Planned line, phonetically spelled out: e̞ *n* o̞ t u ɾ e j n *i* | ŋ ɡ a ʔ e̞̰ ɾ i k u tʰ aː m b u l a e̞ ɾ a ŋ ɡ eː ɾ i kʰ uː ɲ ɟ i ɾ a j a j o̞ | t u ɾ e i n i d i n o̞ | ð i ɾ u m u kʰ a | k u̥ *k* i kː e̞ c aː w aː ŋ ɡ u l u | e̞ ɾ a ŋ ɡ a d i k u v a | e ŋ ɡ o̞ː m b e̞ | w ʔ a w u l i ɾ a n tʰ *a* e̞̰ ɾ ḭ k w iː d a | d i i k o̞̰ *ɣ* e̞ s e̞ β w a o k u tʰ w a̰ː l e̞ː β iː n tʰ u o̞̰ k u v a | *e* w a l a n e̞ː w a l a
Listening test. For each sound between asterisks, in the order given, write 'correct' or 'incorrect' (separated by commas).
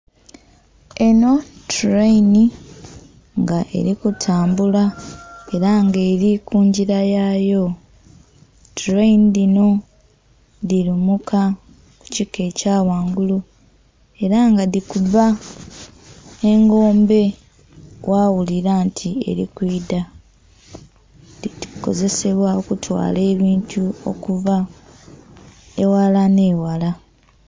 correct, correct, incorrect, incorrect, incorrect, correct